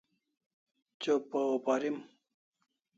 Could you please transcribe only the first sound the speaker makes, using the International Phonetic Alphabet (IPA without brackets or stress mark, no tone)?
t͡ɕ